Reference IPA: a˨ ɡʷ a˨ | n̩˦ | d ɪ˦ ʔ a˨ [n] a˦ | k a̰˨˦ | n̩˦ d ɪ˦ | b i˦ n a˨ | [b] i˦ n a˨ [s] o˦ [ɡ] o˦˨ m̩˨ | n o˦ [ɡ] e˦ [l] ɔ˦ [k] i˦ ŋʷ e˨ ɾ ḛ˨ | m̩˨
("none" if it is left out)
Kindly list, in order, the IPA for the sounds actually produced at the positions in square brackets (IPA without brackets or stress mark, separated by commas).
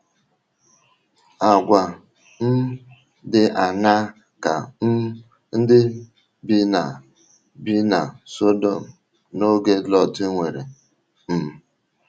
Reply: n, b, s, d, ɡ, l, t